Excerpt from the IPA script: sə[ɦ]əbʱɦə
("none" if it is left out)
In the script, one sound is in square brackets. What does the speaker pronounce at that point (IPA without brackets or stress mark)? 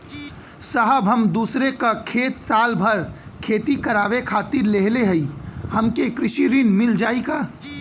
ɦ